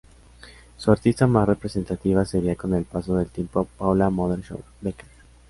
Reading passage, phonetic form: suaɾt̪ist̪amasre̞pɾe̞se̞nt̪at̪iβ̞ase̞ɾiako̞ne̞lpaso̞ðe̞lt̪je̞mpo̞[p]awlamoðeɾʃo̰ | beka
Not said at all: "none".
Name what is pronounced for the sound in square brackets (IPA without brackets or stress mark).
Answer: p